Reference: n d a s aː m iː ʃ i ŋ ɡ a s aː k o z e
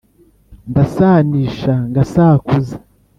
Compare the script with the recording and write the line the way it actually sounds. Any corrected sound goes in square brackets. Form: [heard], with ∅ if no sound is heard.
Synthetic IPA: n d a s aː [n] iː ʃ [a] ŋ ɡ a s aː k [u] z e